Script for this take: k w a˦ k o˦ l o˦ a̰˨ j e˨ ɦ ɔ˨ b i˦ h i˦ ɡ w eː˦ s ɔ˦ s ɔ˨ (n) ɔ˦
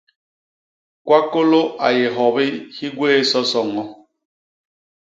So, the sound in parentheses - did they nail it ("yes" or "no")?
no